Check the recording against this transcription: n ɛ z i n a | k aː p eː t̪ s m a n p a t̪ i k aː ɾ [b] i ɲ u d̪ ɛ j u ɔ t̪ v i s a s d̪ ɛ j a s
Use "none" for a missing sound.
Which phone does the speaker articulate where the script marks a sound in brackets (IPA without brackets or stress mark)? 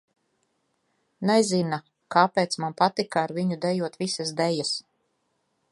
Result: v